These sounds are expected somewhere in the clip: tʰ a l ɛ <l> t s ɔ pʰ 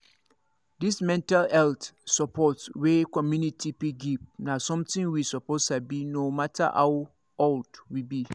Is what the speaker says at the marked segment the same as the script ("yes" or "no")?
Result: yes